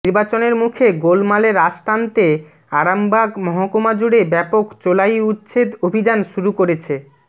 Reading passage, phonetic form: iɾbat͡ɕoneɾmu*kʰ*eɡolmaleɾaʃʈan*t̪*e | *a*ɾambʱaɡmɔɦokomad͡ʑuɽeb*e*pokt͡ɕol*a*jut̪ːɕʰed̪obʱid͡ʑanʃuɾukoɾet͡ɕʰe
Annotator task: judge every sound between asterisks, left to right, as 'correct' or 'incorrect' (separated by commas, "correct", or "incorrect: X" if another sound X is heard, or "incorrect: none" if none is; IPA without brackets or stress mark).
correct, correct, correct, incorrect: ɛ, correct